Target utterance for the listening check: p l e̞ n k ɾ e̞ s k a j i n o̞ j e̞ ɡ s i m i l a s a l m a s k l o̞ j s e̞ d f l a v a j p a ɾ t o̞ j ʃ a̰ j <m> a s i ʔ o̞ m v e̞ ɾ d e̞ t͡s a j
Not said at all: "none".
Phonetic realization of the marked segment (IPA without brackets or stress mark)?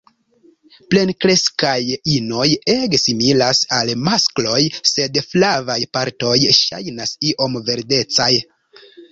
n